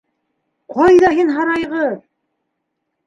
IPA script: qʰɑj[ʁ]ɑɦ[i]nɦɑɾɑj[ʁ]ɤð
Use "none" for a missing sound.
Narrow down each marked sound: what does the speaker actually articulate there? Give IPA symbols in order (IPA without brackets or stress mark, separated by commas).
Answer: ð, i, ʁ